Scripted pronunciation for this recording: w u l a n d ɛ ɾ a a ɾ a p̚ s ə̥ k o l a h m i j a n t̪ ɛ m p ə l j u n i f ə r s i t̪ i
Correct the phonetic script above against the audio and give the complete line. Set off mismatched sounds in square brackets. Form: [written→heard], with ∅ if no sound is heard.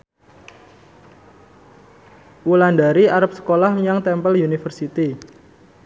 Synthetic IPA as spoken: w u l a n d [ɛ→a] ɾ [a→i] a ɾ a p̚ s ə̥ k o l a h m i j a [n→ŋ] t̪ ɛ m p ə l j u n i f ə r s i t̪ i